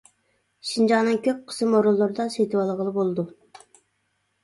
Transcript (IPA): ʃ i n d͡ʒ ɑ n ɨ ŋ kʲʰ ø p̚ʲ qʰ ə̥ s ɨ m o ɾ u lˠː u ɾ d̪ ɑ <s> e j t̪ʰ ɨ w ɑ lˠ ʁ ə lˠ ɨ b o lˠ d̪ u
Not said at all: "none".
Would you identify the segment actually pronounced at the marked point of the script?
s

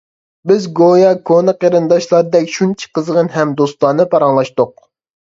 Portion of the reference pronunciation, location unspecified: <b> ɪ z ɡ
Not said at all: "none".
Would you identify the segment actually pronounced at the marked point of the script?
b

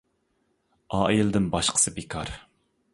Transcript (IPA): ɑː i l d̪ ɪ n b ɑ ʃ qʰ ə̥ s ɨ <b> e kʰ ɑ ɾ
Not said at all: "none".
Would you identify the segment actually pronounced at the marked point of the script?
b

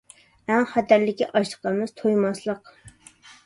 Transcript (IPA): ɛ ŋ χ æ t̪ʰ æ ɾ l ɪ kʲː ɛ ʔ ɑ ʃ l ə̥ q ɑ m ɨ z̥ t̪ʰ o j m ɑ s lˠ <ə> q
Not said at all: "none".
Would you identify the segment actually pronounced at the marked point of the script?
ə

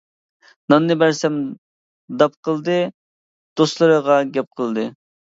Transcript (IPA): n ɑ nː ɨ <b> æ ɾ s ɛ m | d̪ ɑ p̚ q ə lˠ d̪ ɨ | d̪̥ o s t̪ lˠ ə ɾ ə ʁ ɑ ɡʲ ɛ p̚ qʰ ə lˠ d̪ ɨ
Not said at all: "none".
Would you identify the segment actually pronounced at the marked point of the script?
b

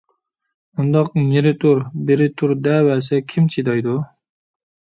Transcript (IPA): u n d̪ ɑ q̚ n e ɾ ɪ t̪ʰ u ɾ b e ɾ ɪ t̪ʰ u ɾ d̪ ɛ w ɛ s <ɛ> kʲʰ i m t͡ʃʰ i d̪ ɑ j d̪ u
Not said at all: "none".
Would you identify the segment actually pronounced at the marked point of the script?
ɛ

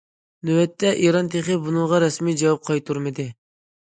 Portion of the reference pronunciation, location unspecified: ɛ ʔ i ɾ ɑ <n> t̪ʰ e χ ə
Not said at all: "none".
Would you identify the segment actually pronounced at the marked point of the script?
n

